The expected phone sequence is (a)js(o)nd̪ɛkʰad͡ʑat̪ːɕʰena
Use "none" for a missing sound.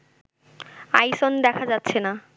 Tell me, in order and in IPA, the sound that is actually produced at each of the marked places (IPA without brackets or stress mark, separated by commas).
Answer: a, o